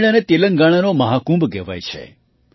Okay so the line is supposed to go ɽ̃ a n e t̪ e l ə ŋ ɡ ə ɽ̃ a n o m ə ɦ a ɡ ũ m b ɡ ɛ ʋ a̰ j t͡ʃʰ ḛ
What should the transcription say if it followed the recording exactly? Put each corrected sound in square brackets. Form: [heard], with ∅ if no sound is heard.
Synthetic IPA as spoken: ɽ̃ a n e t̪ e l ə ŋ ɡ [a] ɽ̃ a n o m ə ɦ a [k] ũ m b ɡ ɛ ʋ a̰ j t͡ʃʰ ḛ